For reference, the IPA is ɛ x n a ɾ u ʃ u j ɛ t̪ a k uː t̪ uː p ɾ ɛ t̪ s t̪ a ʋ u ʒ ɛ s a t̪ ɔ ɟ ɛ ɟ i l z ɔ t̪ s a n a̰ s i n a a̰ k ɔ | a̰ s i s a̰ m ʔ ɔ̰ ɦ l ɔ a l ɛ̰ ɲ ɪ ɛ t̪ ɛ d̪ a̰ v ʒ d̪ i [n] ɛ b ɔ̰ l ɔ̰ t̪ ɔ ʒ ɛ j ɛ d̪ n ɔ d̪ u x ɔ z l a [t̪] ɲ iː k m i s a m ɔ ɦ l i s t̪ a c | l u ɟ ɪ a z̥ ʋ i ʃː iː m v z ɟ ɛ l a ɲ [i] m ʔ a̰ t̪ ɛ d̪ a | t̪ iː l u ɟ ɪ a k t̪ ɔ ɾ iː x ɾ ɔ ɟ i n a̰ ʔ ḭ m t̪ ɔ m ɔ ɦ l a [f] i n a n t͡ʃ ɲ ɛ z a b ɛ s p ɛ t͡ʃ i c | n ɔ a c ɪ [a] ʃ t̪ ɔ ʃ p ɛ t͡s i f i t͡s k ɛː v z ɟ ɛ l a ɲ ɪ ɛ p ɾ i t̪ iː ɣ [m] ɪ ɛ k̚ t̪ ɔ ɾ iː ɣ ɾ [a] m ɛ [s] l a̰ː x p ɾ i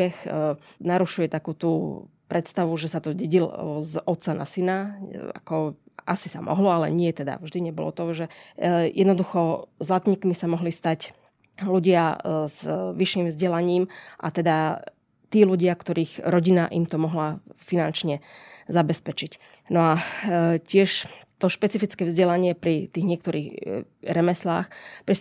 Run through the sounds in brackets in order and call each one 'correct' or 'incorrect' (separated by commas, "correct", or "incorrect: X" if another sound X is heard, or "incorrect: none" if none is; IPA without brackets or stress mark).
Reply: incorrect: ɲ, correct, incorrect: iː, correct, incorrect: ɛ, incorrect: ɲ, incorrect: ɛ, correct